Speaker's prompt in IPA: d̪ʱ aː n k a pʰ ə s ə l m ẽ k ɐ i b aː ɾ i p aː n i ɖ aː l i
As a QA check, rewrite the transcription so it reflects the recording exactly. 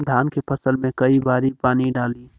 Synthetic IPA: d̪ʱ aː n k e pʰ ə s ə l m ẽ k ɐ i b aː ɾ i p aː n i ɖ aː l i